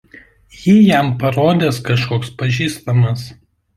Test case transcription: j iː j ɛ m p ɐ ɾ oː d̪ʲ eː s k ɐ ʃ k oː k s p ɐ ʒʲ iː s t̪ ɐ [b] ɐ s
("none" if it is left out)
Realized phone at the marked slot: m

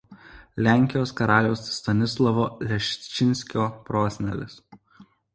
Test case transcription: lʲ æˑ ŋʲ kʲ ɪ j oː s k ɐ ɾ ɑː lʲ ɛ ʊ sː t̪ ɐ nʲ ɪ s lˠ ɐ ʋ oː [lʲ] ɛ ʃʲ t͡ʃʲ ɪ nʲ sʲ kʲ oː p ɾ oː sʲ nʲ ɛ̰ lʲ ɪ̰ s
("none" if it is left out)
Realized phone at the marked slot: lʲ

